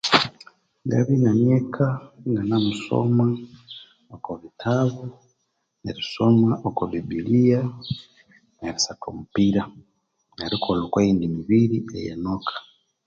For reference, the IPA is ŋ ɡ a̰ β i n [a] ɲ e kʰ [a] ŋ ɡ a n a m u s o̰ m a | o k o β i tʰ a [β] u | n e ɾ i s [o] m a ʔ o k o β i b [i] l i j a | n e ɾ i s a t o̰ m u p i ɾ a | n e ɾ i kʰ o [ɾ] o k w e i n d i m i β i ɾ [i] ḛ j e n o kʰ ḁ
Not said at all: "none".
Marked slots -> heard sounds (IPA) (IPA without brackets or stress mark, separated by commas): a, a, β, o, i, l, i